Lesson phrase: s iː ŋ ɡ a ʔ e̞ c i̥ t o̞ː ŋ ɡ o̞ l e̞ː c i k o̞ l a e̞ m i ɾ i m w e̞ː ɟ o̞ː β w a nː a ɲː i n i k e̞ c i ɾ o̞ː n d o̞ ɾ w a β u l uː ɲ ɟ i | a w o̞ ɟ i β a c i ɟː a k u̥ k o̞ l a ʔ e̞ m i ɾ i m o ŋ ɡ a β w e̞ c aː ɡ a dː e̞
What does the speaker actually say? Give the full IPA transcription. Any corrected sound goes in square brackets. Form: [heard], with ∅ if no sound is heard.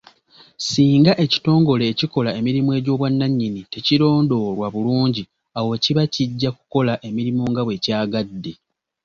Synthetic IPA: s iː ŋ ɡ a ʔ e̞ c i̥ t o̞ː ŋ ɡ o̞ l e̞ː c i k o̞ l a e̞ m i ɾ i m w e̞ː ɟ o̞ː β w a nː a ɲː i n i [t] e̞ c i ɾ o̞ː n d o̞ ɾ w a β u l uː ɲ ɟ i | a w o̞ [c] i β a c i ɟː a k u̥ k o̞ l a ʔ e̞ m i ɾ i m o ŋ ɡ a β w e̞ c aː ɡ a dː e̞